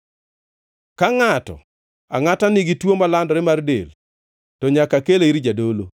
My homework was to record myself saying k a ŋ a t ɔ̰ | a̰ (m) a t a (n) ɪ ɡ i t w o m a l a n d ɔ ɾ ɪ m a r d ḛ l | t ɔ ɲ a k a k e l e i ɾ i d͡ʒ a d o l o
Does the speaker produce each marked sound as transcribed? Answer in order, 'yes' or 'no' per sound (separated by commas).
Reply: no, yes